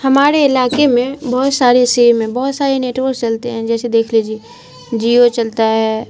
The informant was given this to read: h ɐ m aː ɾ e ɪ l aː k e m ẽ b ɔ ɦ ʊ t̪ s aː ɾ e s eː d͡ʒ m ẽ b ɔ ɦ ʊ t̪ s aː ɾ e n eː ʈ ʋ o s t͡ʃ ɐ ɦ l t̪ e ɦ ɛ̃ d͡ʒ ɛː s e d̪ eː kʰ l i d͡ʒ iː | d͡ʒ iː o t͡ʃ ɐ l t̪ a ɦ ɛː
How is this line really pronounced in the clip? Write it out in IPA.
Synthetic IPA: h ɐ m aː ɾ e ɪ l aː k e m ẽ b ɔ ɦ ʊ t̪ s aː ɾ e s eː m ẽ b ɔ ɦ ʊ t̪ s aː ɾ e n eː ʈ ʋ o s t͡ʃ ɐ l t̪ e ɦ ɛ̃ d͡ʒ ɛː s e d̪ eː kʰ l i d͡ʒ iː | d͡ʒ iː o t͡ʃ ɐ l t̪ a ɦ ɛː